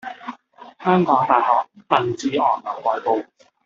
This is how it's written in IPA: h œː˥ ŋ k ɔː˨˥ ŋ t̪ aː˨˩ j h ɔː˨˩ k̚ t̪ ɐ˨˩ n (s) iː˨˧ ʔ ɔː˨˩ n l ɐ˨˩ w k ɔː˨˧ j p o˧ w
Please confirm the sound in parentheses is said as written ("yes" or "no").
no